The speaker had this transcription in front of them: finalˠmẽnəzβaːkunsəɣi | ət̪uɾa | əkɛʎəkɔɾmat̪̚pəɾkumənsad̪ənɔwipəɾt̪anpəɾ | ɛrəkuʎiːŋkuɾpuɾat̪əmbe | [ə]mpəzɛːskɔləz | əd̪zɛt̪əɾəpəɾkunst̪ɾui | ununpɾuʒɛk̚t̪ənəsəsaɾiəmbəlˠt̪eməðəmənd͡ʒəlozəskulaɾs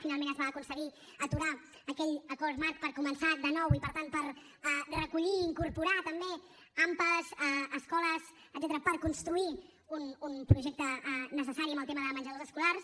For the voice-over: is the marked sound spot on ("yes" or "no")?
no